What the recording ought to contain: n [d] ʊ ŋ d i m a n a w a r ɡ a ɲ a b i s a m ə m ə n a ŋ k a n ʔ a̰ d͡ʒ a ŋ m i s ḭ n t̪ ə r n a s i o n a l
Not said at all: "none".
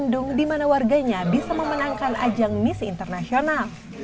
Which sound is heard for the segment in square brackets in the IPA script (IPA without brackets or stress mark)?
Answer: d